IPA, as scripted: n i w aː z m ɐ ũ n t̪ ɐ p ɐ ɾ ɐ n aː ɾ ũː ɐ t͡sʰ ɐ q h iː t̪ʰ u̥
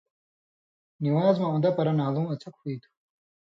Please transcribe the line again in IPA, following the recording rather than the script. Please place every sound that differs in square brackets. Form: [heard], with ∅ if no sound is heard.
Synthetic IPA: n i w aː z m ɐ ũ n [d̪] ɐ p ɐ ɾ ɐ n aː [l] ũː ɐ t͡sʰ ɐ [k] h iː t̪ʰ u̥

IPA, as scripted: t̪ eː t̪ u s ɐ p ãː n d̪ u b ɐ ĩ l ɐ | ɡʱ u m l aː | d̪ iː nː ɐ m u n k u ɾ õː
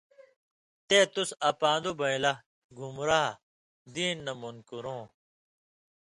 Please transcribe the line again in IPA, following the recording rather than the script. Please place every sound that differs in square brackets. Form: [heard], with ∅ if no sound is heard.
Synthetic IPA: t̪ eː t̪ u s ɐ p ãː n d̪ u b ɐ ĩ l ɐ | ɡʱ u m [ɾ] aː | d̪ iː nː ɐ m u n k u ɾ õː

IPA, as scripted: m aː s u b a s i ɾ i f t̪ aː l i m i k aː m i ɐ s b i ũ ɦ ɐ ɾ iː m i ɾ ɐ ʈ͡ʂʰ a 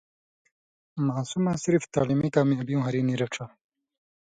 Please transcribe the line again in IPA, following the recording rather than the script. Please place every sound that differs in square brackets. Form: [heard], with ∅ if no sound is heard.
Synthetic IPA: m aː s u [m] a s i ɾ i f t̪ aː l i m i k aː m i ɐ [∅] b i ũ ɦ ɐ ɾ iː [n] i ɾ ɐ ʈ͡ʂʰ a

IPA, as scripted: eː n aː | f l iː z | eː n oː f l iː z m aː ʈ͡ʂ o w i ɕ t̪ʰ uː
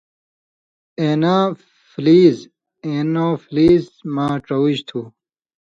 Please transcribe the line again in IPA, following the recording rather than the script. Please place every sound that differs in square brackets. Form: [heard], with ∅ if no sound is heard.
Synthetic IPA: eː n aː | f l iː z | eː n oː f l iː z m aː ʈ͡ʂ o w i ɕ t̪ʰ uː

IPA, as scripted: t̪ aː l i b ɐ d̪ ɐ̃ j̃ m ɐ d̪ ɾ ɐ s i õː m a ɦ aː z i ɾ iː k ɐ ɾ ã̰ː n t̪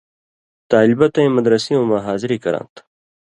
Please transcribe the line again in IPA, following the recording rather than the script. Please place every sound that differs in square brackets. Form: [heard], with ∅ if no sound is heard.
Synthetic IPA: t̪ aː l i b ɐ [t̪] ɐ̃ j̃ m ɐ d̪ ɾ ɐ s i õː m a ɦ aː z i ɾ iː k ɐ ɾ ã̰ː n t̪

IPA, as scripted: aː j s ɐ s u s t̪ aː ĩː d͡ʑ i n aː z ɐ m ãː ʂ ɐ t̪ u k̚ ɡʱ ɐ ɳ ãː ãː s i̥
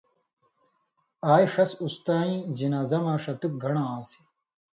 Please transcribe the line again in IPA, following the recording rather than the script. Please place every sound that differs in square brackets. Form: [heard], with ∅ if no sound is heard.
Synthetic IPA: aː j [ʂ] ɐ s u s t̪ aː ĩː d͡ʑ i n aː z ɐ m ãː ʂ ɐ t̪ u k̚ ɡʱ ɐ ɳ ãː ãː s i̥

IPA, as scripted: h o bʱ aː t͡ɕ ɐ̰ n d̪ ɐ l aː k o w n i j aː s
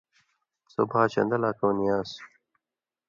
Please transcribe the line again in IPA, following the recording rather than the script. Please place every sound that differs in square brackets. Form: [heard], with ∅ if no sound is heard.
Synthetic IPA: [s] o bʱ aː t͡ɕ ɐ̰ n d̪ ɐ l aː k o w n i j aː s

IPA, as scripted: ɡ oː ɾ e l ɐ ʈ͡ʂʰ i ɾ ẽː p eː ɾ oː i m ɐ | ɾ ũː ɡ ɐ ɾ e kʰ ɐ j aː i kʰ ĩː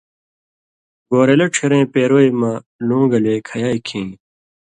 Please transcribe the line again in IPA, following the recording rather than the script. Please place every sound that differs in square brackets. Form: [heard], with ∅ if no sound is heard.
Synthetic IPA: ɡ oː ɾ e l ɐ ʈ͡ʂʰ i ɾ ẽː p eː ɾ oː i m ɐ | [l] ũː ɡ ɐ [l] e kʰ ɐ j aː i kʰ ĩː

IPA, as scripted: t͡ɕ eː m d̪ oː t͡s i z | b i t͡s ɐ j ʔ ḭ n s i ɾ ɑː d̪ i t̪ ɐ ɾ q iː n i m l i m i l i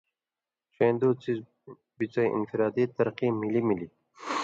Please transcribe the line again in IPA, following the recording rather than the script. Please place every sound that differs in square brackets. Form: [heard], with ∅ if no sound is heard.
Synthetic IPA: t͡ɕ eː [n] d̪ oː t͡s i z | b i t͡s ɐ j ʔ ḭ n [f] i ɾ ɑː d̪ i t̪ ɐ ɾ q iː [m] i [∅] l i m i l i

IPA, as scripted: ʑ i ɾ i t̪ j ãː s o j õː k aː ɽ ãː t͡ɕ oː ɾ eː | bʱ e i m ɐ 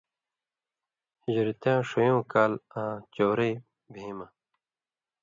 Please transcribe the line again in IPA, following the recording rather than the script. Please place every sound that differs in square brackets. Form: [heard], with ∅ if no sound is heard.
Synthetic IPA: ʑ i ɾ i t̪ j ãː [ʂ] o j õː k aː [l] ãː t͡ɕ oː ɾ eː | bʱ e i m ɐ

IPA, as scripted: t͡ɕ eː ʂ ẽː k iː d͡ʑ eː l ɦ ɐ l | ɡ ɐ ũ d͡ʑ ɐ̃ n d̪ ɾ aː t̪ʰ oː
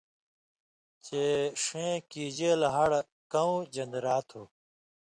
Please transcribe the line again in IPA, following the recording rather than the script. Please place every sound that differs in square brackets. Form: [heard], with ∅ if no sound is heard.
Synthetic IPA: t͡ɕ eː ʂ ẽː k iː d͡ʑ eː l ɦ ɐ [ɽ] | [k] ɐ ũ d͡ʑ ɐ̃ n d̪ ɾ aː t̪ʰ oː

